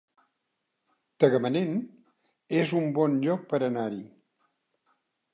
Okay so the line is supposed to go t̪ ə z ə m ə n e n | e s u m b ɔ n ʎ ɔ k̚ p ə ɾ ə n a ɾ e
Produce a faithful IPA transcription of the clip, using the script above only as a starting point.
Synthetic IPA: t̪ ə ɣ ə m ə n e n | e z u m b ɔ n ʎ ɔ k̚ p ə ɾ ə n a ɾ i